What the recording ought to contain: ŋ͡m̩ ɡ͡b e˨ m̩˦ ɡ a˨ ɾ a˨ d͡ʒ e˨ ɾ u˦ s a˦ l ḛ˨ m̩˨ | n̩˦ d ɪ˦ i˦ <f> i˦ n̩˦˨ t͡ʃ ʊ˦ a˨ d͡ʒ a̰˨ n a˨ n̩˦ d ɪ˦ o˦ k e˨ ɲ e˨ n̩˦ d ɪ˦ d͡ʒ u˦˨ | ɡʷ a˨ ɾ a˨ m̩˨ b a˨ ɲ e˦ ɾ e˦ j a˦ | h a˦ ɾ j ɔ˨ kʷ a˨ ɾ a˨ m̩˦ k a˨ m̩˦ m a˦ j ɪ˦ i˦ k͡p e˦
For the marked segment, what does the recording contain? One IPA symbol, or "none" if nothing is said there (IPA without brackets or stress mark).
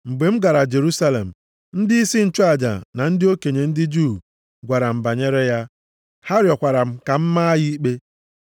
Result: s